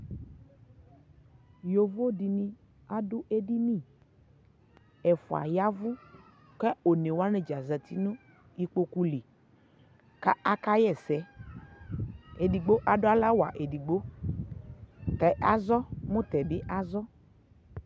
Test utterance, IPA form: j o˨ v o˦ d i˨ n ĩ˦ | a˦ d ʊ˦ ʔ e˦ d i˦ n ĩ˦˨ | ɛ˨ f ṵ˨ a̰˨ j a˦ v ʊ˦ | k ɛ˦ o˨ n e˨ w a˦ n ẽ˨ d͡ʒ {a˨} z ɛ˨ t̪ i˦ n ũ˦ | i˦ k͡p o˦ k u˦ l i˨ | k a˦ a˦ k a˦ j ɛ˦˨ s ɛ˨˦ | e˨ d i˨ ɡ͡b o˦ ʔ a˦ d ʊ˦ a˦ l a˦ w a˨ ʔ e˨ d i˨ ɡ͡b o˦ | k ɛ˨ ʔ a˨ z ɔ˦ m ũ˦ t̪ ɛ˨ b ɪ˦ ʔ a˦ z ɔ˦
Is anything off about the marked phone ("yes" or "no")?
no